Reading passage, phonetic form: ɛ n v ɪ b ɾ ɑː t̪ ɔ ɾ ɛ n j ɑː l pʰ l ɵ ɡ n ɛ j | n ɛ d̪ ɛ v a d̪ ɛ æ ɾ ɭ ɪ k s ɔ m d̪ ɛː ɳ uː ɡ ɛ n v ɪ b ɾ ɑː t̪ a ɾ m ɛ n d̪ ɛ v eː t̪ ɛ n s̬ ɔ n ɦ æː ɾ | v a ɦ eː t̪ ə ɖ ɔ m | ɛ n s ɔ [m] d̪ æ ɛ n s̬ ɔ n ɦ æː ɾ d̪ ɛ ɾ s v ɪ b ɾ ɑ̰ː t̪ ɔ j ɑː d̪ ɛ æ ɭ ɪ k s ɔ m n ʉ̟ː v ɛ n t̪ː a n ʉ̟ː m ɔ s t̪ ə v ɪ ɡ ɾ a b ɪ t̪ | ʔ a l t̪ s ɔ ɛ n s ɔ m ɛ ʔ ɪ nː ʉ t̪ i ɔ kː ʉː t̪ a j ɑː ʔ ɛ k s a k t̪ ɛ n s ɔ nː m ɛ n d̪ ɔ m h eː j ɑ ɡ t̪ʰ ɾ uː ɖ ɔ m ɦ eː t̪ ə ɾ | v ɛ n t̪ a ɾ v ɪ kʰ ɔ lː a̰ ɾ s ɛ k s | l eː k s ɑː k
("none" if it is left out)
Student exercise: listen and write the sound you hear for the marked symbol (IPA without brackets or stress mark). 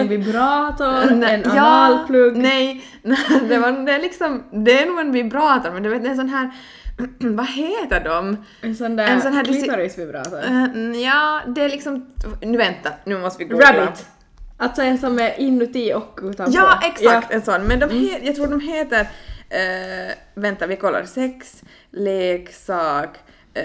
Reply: n